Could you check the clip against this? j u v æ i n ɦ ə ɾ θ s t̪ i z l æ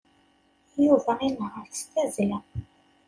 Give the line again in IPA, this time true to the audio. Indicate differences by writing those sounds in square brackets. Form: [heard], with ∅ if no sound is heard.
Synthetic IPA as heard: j u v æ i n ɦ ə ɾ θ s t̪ [æ] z l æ